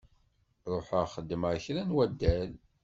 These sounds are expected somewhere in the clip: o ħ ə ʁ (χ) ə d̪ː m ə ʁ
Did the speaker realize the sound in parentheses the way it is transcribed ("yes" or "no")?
yes